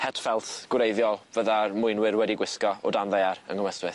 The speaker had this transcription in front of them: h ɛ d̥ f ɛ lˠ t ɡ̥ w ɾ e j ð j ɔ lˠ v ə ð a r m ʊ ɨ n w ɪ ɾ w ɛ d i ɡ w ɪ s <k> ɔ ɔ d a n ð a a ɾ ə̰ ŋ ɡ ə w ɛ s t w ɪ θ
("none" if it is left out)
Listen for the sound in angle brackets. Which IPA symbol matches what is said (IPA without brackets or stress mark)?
k